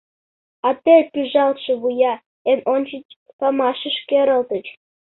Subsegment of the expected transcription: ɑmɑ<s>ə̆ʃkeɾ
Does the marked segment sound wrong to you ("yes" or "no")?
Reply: yes